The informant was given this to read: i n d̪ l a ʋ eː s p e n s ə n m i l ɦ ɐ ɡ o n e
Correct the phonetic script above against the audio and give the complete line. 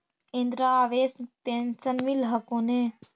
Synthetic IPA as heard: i n d̪ ɾ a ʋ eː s p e n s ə n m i l ɦ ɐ k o n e